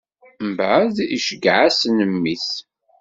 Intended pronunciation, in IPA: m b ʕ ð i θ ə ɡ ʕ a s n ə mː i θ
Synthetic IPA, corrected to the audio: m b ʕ ð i ʃ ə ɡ ʕ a s n ə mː i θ